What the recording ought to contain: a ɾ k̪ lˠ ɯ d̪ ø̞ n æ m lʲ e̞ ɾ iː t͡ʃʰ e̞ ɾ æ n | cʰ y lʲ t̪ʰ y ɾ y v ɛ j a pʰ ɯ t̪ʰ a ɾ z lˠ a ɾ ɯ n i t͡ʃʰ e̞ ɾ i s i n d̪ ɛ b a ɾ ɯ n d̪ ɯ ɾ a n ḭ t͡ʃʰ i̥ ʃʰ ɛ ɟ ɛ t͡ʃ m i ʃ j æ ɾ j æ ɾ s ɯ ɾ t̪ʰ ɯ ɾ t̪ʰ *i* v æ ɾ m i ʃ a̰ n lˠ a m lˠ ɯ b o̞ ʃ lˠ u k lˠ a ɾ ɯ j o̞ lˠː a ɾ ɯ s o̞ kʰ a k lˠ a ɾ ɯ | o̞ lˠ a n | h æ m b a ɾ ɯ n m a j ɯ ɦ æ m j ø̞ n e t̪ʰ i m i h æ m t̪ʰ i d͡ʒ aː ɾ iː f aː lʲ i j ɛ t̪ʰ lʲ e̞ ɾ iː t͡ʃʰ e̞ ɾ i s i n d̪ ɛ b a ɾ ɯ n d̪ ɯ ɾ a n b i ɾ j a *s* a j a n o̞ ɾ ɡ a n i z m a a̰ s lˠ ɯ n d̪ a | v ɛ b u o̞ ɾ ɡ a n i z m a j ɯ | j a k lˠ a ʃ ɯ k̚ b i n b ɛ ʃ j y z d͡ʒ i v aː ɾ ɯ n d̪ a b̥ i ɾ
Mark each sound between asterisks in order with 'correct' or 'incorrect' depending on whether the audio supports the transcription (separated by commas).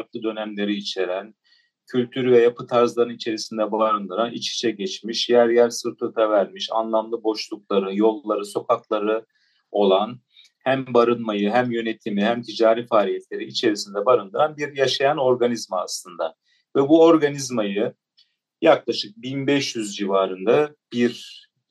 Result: incorrect, incorrect